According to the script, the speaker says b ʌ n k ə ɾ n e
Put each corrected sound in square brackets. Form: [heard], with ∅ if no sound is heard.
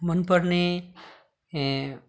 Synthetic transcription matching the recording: [m] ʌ n [p] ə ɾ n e